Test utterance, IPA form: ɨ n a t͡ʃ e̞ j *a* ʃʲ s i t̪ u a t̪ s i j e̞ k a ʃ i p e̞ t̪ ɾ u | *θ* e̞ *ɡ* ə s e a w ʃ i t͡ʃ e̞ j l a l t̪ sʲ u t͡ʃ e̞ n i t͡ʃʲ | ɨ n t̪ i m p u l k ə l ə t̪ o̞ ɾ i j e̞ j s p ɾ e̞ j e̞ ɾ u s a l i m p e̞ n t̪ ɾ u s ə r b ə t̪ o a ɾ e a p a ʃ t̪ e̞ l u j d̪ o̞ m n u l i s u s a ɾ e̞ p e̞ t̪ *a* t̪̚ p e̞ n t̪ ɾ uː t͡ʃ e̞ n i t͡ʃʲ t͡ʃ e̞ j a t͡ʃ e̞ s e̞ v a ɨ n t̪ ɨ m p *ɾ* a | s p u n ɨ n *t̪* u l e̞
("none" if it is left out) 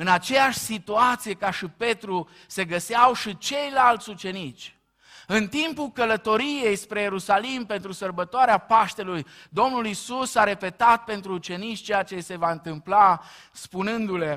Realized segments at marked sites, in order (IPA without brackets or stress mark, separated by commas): a, s, ɡ, a, l, d̪